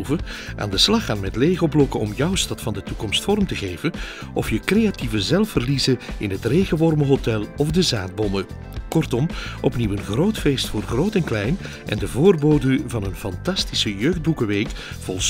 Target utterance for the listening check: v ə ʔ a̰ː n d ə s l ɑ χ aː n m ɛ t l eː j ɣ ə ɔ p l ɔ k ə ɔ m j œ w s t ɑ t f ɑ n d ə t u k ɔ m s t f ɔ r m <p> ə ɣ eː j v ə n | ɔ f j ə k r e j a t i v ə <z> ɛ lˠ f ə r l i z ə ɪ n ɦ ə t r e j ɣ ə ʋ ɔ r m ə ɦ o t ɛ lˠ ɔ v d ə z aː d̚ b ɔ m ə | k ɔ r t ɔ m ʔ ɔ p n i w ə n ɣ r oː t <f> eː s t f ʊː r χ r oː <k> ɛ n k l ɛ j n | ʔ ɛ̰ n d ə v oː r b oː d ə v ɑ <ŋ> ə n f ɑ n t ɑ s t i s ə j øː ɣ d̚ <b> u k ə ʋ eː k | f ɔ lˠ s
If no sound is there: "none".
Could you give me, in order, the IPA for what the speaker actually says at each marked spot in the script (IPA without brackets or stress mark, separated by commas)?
t, z, f, t, n, b